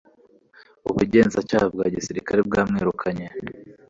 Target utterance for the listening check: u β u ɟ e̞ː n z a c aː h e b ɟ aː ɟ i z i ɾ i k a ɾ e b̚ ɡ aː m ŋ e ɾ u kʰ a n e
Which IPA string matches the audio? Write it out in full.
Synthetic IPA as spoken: u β u ɟ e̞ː n z a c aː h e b ɡ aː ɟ i s i ɾ i k a ɾ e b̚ ɡ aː m ŋ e ɾ u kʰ a ɲ e